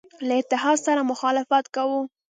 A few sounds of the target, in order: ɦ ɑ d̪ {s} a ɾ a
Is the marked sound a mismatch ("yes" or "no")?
no